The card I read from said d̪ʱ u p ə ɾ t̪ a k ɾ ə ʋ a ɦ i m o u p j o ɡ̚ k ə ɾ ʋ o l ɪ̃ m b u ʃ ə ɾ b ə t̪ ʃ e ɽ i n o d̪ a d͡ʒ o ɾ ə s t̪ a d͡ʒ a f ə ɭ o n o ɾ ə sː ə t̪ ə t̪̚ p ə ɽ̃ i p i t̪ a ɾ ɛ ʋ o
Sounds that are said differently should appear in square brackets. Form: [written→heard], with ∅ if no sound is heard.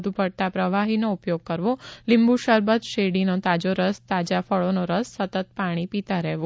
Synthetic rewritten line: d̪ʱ u p ə [ɾ→ɽ] t̪ a [k→p] ɾ ə ʋ a ɦ i [m→n] o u p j o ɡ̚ k ə ɾ ʋ o l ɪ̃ m b u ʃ ə ɾ b ə t̪ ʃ e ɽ i n o [d̪→t̪] a d͡ʒ o ɾ ə s t̪ a d͡ʒ a f ə ɭ o n o ɾ ə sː ə t̪ ə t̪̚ p [ə→a] ɽ̃ i p i t̪ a ɾ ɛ ʋ o